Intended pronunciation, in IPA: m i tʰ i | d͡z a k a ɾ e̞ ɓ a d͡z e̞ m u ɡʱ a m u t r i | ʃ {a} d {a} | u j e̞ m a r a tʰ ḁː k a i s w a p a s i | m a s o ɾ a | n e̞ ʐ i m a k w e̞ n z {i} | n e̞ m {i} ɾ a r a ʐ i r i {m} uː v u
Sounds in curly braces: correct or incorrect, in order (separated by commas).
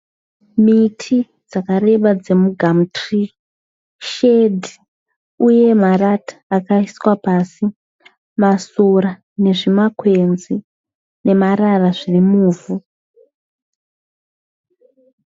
incorrect, incorrect, correct, incorrect, correct